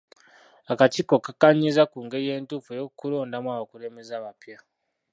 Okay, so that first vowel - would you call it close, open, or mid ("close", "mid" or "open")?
open